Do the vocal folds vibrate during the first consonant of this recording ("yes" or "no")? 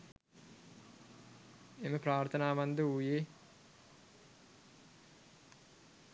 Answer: yes